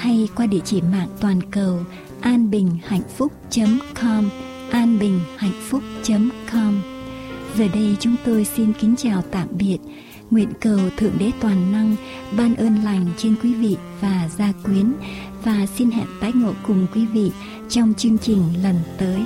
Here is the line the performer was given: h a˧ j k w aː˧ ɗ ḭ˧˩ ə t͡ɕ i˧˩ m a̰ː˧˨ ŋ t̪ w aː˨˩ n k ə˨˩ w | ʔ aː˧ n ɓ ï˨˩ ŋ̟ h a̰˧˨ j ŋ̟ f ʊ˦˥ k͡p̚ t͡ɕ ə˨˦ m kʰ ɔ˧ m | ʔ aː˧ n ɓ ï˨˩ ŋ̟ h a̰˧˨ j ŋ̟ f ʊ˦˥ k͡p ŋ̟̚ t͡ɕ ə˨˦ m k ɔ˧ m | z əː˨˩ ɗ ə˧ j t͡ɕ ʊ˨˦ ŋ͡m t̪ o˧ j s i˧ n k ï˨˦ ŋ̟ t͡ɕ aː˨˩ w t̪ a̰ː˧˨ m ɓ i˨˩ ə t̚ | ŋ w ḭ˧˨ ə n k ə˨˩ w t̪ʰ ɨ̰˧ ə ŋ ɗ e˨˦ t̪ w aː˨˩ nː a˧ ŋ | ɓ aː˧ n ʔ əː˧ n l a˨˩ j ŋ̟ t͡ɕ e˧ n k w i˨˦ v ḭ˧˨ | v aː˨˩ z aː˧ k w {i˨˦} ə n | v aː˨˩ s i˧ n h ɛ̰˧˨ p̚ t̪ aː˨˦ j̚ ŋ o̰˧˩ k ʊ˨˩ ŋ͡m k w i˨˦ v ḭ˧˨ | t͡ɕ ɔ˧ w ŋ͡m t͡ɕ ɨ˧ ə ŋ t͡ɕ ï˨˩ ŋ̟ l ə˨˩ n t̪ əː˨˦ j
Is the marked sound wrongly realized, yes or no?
no